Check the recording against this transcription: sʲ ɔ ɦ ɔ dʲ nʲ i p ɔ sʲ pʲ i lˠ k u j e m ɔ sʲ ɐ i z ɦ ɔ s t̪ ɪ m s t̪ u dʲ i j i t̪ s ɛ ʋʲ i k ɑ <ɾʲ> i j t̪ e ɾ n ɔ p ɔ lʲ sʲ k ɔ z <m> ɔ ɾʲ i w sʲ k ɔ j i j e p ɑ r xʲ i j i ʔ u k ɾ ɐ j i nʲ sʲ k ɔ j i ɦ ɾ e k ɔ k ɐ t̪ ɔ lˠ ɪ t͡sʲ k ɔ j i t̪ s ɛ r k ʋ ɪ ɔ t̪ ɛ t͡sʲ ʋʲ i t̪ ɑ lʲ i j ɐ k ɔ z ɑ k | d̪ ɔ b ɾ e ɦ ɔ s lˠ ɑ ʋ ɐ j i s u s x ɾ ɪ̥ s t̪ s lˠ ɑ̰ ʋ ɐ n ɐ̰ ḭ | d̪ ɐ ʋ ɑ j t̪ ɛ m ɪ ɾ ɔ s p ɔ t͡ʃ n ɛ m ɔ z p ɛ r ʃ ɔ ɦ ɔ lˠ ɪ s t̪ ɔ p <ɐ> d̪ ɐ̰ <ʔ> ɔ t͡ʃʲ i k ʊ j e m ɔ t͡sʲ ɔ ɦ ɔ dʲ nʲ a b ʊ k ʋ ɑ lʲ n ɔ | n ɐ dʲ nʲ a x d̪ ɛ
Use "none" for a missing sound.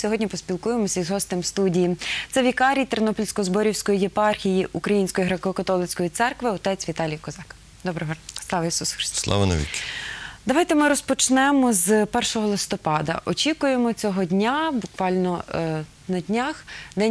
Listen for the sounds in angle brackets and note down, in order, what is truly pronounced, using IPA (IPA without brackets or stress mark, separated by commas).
ɾʲ, b, ɑ, ʔ